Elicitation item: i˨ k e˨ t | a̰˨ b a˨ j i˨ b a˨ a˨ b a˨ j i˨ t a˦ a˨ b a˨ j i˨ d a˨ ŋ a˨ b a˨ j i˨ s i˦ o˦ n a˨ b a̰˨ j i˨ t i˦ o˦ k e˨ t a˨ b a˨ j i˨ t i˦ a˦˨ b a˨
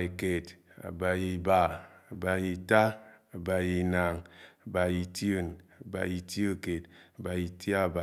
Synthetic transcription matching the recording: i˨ k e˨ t | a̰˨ b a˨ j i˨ b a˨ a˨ b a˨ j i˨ t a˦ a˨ b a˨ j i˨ n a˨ ŋ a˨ b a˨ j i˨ t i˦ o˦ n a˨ b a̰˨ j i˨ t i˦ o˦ k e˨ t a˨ b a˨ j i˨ t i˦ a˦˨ b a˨

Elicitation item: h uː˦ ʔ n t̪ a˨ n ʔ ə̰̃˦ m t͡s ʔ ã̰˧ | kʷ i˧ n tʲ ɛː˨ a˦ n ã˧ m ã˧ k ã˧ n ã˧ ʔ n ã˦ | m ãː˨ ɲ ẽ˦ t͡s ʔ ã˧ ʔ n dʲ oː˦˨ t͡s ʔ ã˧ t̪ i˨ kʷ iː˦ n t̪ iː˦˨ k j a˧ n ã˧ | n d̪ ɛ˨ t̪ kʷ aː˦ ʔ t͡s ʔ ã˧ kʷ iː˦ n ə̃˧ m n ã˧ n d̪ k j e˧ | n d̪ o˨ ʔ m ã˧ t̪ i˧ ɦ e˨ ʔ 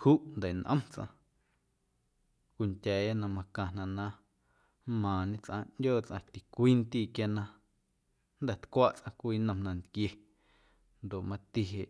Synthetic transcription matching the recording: h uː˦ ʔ n d̪ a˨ n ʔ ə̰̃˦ m t͡s ʔ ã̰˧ | kʷ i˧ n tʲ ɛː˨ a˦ n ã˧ m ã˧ k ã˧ n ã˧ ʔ n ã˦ | m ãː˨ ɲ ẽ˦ t͡s ʔ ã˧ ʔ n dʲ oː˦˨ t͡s ʔ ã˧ t̪ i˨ kʷ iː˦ n t̪ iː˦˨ k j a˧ n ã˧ | n d̪ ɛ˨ t̪ kʷ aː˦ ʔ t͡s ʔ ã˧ kʷ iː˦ n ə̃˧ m n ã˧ n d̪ k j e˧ | n d̪ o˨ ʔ m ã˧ t̪ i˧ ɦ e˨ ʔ

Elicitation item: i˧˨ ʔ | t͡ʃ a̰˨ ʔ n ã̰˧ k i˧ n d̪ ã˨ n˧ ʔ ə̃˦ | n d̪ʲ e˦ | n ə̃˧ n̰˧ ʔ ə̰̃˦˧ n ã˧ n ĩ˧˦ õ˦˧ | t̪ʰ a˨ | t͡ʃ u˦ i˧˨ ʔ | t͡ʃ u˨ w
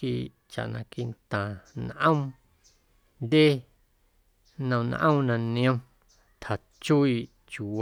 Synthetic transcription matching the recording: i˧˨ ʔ | t͡ʃ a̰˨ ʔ n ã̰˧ k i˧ n t̪ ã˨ n˧ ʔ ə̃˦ | n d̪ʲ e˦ | n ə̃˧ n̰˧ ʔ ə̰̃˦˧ n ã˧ n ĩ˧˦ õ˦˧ | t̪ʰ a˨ | t͡ʃ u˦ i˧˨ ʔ | t͡ʃ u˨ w

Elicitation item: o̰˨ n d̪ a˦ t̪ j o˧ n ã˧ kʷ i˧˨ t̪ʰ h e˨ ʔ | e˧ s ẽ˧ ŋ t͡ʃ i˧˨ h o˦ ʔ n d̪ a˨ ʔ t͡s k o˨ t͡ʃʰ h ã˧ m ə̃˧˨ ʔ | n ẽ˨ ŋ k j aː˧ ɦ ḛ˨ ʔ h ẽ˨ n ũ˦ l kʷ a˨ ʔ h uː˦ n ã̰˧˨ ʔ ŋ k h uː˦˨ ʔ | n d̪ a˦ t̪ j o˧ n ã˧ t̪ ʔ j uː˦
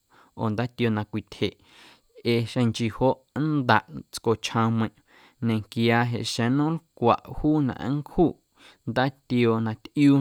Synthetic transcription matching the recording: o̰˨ n d̪ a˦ t̪ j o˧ n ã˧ kʷ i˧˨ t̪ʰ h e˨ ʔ | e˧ ʃ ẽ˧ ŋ t͡ʃ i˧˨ h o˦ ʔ n d̪ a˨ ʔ t͡s k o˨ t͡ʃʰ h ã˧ m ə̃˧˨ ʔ | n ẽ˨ ŋ k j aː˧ ɦ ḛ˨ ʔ ʃ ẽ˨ n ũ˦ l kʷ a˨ ʔ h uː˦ n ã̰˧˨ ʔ ŋ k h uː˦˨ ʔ | n d̪ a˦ t̪ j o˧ n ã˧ t̪ ʔ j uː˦

